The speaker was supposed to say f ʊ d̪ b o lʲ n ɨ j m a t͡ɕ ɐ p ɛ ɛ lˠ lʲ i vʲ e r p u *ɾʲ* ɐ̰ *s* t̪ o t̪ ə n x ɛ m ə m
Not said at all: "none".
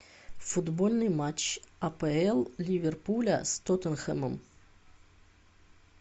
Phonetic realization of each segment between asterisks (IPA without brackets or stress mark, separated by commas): lʲ, s